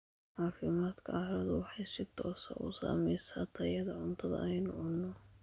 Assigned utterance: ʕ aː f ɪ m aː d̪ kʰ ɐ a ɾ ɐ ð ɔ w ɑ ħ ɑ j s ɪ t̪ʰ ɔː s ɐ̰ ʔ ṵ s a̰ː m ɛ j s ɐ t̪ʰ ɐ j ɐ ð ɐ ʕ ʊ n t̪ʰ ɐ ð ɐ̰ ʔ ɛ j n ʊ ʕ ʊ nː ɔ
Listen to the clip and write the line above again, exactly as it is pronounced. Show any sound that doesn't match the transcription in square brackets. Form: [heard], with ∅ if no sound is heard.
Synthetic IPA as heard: ʕ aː f ɪ m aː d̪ kʰ ɐ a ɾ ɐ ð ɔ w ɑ ħ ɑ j s ɪ t̪ʰ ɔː s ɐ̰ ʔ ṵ s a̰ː m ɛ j s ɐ t̪ʰ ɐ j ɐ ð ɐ ʕ ʊ n t̪ʰ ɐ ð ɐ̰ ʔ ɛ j n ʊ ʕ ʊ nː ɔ